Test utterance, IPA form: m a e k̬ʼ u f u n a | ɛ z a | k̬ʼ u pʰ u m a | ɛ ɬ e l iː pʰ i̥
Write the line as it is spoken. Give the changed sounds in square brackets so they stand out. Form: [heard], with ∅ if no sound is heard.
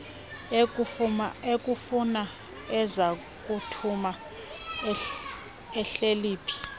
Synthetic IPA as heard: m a e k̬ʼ u f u n a | ɛ z a | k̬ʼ u [tʰ] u m a | ɛ ɬ e l iː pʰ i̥